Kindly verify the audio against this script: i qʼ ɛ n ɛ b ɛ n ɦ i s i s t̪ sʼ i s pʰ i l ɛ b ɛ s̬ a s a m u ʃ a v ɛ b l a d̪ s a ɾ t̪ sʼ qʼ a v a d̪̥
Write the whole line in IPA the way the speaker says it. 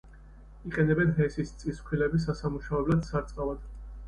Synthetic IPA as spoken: i qʼ ɛ n ɛ b ɛ n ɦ ɛ s i s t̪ sʼ i s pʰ i l ɛ b i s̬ a s a m u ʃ a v ɛ b l a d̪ s a ɾ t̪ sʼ qʼ a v a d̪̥

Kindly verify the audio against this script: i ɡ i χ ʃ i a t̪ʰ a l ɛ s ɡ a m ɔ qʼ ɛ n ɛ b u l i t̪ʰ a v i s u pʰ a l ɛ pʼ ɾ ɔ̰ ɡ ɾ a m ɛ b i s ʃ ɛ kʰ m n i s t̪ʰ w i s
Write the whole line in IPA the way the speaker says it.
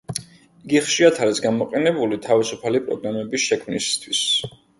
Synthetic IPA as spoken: i ɡ i χ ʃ i a t̪ʰ a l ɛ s ɡ a m ɔ qʼ ɛ n ɛ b u l i t̪ʰ a v i s u pʰ a l i pʼ ɾ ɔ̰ ɡ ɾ a m ɛ b i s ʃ ɛ kʰ m n i s t̪ʰ w i s

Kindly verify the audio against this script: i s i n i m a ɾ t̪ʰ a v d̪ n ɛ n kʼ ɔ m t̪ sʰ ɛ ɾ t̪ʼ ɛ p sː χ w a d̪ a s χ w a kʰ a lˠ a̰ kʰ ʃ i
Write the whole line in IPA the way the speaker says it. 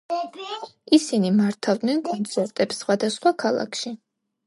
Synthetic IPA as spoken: i s i n i m a ɾ t̪ʰ a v d̪ n ɛ n kʼ ɔ n t̪ sʰ ɛ ɾ t̪ʼ ɛ p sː χ w a d̪ a s χ w a kʰ a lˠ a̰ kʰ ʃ i

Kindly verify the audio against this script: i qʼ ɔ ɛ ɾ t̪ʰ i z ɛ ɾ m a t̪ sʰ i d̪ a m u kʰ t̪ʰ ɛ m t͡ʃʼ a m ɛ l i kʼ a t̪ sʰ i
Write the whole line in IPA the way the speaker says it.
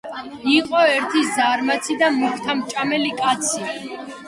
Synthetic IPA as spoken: i qʼ ɔ ɛ ɾ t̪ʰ i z a ɾ m a t̪ sʰ i d̪ a m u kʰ t̪ʰ a m t͡ʃʼ a m ɛ l i kʼ a t̪ sʰ i

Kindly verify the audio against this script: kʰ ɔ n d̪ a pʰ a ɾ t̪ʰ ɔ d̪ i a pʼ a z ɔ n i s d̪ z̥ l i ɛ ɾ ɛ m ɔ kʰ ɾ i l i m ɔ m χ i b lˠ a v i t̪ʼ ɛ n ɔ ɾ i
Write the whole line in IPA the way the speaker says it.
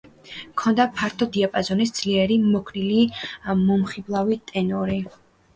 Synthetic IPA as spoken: kʰ ɔ n d̪ a pʰ a ɾ t̪ʰ ɔ d̪ i a pʼ a z ɔ n i s d̪ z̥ l i ɛ ɾ i m ɔ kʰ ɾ i l i m ɔ m χ i b lˠ a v i t̪ʼ ɛ n ɔ ɾ i

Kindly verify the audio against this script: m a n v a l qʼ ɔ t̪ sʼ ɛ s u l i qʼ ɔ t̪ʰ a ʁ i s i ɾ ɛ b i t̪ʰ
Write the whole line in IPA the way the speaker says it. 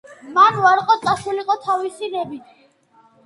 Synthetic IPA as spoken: m a n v a ɾ qʼ ɔ t̪ sʼ a s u l i qʼ ɔ t̪ʰ a v i s i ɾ ɛ b i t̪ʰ

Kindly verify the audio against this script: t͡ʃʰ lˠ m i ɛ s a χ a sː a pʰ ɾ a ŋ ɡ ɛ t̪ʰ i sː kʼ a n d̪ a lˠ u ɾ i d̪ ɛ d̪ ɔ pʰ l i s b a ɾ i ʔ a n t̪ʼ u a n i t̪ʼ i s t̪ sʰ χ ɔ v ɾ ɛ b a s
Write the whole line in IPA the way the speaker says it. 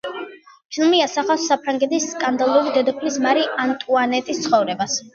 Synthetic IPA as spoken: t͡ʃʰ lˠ m i a s a χ a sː a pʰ ɾ a ŋ ɡ ɛ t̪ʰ i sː kʼ a n d̪ a lˠ u ɾ i d̪ ɛ d̪ ɔ pʰ l i s m a ɾ i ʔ a n t̪ʼ u a n ɛ t̪ʼ i s t̪ sʰ χ ɔ v ɾ ɛ b a s

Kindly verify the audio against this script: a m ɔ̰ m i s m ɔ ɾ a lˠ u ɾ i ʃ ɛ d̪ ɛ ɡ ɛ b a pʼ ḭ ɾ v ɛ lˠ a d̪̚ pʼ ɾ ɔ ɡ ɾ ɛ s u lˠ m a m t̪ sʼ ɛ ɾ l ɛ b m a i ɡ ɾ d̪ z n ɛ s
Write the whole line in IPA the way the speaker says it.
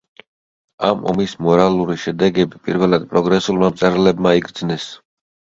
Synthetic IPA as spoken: a m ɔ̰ m i s m ɔ ɾ a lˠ u ɾ i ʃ ɛ d̪ ɛ ɡ ɛ b i pʼ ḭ ɾ v ɛ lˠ a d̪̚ pʼ ɾ ɔ ɡ ɾ ɛ s u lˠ m a m t̪ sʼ ɛ ɾ l ɛ b m a i ɡ ɾ d̪ z n ɛ s

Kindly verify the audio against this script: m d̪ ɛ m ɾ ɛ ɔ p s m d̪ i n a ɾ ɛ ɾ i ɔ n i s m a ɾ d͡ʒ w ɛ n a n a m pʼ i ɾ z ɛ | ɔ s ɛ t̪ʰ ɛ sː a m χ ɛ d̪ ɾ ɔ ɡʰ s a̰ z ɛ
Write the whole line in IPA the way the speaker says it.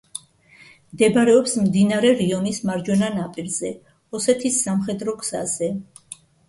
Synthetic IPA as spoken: m d̪ ɛ b ɾ ɛ ɔ p s m d̪ i n a ɾ ɛ ɾ i ɔ n i s m a ɾ d͡ʒ w ɛ n a n a pʼ i ɾ z ɛ | ɔ s ɛ t̪ʰ i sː a m χ ɛ d̪ ɾ ɔ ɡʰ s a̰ z ɛ

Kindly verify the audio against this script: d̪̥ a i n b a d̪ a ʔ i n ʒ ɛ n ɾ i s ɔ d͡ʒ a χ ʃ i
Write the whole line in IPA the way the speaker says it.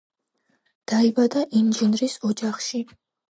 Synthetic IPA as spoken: d̪̥ a i b a d̪ a ʔ i n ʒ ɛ n ɾ i s ɔ d͡ʒ a χ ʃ i

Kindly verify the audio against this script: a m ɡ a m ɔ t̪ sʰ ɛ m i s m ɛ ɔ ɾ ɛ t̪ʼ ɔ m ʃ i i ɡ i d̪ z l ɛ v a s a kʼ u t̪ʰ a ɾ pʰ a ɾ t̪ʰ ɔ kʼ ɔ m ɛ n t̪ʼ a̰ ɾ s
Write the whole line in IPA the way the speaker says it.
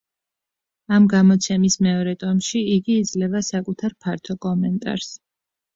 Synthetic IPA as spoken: a m ɡ a m ɔ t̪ sʰ ɛ m i s m ɛ ɔ ɾ ɛ t̪ʼ ɔ m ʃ i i ɡ iː d̪ z l ɛ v a s a kʼ u t̪ʰ a ɾ pʰ a ɾ t̪ʰ ɔ kʼ ɔ m ɛ n t̪ʼ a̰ ɾ s

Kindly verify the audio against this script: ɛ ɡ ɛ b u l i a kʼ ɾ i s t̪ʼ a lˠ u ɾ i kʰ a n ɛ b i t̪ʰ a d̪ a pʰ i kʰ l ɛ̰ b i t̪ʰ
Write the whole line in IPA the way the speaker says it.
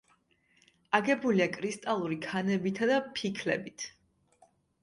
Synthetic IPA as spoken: a ɡ ɛ b u l i a kʼ ɾ i s t̪ʼ a lˠ u ɾ i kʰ a n ɛ b i t̪ʰ a d̪ a pʰ i kʰ l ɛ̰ b i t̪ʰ

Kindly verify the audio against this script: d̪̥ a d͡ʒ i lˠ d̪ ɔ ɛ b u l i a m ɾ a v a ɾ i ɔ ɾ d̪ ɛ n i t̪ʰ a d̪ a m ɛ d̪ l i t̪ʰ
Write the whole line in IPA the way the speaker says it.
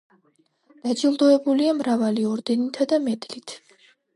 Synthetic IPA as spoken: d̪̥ a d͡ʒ i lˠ d̪ ɔ ɛ b u l i a m ɾ a v a l i ɔ ɾ d̪ ɛ n i t̪ʰ a d̪ a m ɛ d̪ l i t̪ʰ

